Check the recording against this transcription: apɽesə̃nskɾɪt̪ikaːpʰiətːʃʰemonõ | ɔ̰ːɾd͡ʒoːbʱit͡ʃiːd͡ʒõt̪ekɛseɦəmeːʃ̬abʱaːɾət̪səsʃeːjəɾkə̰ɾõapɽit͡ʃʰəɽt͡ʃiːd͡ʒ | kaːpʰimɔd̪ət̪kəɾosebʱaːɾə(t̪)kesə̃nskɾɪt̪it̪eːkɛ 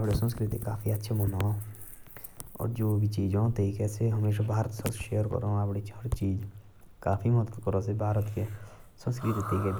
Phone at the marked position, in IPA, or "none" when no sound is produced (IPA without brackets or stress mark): t̪